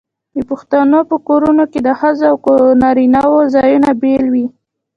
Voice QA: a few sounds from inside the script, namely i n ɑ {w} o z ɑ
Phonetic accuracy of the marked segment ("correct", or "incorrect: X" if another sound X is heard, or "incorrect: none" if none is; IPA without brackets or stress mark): correct